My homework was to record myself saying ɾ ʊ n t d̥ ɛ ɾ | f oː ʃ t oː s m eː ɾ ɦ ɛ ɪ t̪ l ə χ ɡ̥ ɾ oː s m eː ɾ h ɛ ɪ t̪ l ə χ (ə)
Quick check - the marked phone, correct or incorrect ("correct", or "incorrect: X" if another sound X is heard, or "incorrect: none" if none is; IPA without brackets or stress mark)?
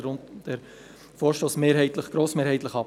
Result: incorrect: ɑ